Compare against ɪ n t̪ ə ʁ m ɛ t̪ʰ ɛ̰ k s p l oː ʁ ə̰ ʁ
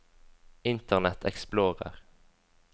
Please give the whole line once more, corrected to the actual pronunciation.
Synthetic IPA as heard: ɪ n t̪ ə ʁ n ɛ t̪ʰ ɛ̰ k s p l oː ʁ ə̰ ʁ